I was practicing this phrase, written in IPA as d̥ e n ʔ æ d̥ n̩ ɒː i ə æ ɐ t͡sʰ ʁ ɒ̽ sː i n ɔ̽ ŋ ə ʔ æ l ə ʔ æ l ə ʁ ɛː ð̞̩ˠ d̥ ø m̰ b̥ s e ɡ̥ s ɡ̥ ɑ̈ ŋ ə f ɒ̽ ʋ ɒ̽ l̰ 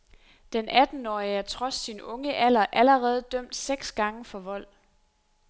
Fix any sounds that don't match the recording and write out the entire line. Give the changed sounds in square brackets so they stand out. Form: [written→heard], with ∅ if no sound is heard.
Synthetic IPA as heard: d̥ e n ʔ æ d̥ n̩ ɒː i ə æ ɐ t͡sʰ ʁ ɒ̽ sː i n ɔ̽ ŋ ə ʔ æ l [ə→ɐ] ʔ æ l ə ʁ ɛː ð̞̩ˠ d̥ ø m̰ [b̥→d̥] s e ɡ̥ s ɡ̥ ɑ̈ ŋ ə f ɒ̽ ʋ ɒ̽ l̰

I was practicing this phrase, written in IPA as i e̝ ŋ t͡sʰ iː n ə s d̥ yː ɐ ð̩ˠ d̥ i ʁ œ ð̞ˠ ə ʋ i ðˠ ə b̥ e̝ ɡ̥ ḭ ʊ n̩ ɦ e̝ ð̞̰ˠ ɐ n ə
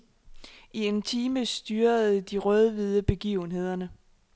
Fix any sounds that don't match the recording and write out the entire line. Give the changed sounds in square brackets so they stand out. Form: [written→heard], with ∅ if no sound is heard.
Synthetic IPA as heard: i e̝ [ŋ→n] t͡sʰ iː [n→m] ə s d̥ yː ɐ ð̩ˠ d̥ i ʁ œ ð̞ˠ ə ʋ i ðˠ ə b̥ e̝ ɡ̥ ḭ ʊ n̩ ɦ e̝ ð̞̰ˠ ɐ n ə

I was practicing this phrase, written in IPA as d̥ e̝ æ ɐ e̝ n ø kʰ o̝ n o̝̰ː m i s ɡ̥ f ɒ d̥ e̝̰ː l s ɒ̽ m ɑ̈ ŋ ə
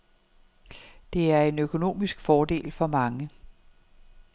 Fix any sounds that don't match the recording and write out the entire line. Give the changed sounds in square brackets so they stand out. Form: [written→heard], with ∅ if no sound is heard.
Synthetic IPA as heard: d̥ e̝ æ ɐ e̝ n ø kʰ o̝ n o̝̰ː m i s ɡ̥ f [ɒ→ɒː] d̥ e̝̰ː l [s→f] ɒ̽ m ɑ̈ ŋ ə

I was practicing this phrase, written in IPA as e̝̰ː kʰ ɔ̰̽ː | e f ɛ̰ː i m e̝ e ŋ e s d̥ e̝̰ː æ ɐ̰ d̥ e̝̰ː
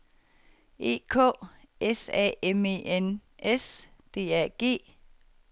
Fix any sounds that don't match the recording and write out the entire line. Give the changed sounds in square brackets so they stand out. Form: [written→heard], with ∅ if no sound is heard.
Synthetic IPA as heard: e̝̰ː kʰ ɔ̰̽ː | e [f→s] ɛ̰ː [i→e] m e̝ e [ŋ→n] e s d̥ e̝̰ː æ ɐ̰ [d̥→ɡ̥] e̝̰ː

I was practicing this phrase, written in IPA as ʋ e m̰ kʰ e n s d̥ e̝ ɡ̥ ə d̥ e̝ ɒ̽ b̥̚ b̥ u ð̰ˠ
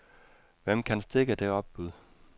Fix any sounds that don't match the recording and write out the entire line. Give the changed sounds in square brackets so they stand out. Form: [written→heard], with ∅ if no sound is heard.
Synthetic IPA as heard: ʋ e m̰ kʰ [e→æ] n s d̥ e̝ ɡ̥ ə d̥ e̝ ɒ̽ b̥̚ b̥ u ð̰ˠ

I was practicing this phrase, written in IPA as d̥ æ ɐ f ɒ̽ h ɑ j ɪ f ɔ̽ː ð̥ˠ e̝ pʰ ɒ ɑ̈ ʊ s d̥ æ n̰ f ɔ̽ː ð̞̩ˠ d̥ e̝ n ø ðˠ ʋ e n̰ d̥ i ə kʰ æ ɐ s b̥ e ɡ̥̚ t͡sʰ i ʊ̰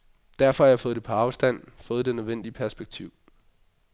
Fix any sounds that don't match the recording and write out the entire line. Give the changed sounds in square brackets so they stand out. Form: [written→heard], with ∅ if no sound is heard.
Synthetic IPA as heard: d̥ æ ɐ f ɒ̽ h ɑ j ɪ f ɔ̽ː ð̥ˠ e̝ pʰ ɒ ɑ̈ ʊ s d̥ æ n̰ f ɔ̽ː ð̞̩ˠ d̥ e̝ n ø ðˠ ʋ e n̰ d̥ i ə [kʰ→pʰ] æ ɐ s b̥ e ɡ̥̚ t͡sʰ i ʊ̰

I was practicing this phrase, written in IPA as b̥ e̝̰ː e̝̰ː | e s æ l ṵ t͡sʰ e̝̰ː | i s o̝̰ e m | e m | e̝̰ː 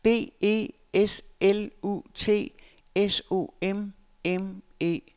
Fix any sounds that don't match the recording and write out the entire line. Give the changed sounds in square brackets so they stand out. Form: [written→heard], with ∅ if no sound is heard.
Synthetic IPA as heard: b̥ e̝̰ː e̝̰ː | e s [æ→e] l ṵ t͡sʰ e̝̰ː | [i→e] s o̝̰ e m | e m | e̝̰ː

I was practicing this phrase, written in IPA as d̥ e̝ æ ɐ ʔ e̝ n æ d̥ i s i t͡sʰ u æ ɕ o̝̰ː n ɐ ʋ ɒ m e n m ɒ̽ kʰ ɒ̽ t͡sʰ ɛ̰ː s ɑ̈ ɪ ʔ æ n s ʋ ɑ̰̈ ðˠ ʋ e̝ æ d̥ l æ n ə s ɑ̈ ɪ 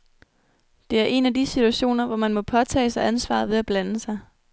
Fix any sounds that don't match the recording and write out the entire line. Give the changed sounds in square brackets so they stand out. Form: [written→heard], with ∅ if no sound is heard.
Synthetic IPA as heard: d̥ e̝ æ ɐ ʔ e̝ n æ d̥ i s i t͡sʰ u æ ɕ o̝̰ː n ɐ ʋ ɒ m [e→æ] n m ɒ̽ [kʰ→pʰ] ɒ̽ t͡sʰ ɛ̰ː s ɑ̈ ɪ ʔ æ n s ʋ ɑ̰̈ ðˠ ʋ e̝ æ [d̥→b̥] l æ n ə s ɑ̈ ɪ

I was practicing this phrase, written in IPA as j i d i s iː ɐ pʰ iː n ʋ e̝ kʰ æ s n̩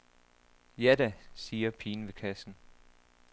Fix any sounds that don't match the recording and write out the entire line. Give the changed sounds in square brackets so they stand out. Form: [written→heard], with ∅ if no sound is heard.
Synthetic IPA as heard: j [i→æ] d [i→æ] s iː ɐ pʰ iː n ʋ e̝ kʰ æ s n̩

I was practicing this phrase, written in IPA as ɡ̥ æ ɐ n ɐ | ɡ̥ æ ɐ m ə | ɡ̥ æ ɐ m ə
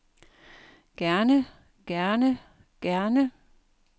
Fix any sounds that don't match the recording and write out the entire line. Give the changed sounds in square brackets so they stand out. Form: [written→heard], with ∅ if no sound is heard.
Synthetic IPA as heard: ɡ̥ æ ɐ n [ɐ→ə] | ɡ̥ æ ɐ [m→n] ə | ɡ̥ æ ɐ [m→n] ə

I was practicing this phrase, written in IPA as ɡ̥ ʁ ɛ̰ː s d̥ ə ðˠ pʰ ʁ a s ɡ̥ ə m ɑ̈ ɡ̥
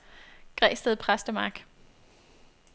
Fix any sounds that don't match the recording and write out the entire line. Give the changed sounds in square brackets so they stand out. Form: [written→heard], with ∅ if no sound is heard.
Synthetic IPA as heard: ɡ̥ ʁ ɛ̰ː s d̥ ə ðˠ pʰ ʁ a s [ɡ̥→d̥] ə m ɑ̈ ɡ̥

